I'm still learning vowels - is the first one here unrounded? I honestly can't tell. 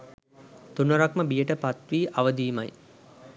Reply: no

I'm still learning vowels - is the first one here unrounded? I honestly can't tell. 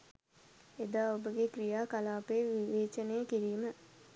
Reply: yes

